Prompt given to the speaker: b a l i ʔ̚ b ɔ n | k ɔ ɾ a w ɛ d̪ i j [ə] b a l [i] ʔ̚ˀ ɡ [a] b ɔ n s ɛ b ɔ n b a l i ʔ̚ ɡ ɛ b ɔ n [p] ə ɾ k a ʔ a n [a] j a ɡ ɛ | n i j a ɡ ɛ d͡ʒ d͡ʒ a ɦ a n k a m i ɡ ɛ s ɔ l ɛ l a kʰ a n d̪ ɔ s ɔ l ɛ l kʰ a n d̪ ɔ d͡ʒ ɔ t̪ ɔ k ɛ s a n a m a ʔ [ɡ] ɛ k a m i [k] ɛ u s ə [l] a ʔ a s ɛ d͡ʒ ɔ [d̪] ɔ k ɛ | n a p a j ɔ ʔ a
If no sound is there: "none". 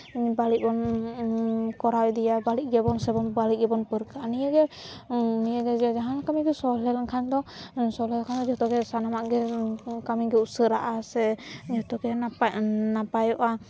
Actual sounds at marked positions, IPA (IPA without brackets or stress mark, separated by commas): a, i, ɛ, p, i, ɡ, ɡ, ɾ, t̪